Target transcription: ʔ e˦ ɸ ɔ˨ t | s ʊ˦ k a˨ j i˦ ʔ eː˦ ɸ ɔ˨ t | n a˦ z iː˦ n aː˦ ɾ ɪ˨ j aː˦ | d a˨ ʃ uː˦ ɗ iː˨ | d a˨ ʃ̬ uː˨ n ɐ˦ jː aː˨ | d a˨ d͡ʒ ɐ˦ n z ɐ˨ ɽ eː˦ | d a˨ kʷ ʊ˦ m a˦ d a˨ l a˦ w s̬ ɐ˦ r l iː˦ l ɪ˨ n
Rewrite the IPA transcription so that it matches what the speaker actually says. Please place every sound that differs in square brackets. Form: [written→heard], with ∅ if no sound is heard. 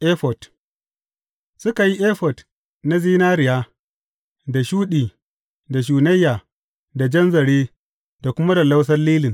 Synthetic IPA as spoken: ʔ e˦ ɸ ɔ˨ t | s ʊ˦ k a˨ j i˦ ʔ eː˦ ɸ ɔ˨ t | n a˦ z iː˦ n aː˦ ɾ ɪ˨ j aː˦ | d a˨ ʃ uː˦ ɗ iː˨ | d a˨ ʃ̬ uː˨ n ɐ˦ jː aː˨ | d a˨ d͡ʒ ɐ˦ n z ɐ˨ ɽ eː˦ | d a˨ kʷ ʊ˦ m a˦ d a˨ l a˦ w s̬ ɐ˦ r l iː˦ l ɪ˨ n